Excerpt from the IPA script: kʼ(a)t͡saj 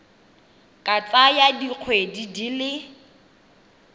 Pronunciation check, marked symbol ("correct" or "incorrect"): correct